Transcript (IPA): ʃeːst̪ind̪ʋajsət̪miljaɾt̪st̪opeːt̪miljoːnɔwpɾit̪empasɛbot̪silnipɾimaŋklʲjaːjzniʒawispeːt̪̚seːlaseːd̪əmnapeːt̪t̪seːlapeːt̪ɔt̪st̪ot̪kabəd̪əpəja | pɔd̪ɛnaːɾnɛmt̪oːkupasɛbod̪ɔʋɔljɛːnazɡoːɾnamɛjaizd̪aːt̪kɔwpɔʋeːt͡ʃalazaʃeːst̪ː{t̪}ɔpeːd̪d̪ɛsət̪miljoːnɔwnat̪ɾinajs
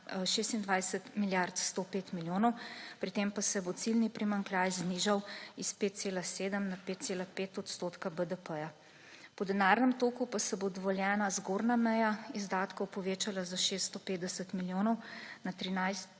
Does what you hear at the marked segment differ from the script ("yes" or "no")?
no